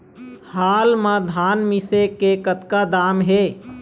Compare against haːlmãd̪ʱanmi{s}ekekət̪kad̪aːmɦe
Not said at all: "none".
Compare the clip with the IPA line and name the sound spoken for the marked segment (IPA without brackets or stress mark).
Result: s